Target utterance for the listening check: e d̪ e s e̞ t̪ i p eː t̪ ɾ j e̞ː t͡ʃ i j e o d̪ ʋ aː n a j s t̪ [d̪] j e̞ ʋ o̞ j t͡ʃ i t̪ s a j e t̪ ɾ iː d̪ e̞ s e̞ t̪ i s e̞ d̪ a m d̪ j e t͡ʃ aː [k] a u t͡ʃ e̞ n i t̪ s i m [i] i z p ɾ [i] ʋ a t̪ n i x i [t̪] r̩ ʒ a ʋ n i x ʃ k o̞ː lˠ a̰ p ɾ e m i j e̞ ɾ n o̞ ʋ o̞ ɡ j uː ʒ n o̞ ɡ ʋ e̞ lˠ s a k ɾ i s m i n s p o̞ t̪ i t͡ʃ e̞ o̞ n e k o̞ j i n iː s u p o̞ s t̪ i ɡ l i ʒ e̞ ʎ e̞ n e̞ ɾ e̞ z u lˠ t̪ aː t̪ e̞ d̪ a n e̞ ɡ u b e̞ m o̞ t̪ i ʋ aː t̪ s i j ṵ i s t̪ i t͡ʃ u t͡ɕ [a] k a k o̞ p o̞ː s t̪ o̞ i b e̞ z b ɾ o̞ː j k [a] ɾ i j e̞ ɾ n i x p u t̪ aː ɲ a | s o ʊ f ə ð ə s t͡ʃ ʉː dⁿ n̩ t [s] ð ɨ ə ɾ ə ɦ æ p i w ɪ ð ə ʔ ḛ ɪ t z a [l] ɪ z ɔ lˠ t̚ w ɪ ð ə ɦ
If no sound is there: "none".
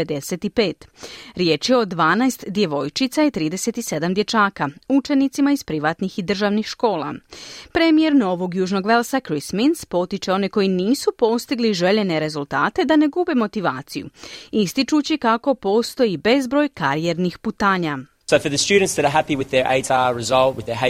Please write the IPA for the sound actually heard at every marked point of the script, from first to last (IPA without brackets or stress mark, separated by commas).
d̪, k, a, i, d̪, i, a, s, ɹ